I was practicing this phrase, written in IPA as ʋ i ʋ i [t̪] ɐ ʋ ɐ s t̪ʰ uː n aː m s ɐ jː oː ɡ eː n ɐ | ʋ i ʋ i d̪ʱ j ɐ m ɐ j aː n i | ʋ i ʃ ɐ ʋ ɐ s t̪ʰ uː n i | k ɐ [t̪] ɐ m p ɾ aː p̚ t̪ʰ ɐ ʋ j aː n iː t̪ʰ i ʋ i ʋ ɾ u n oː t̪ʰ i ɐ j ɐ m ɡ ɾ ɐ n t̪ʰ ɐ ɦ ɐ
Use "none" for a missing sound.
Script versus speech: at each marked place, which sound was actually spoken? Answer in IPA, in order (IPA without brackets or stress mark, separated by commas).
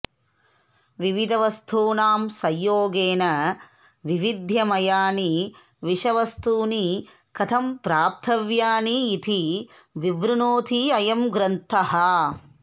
d̪, t̪ʰ